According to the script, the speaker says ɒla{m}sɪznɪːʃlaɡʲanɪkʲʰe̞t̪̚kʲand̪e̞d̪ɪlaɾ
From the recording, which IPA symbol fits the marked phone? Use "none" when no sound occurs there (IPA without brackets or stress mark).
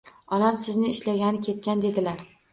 m